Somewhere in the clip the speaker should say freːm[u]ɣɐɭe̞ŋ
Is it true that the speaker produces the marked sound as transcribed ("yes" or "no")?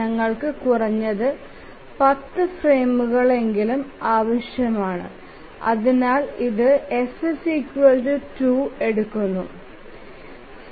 yes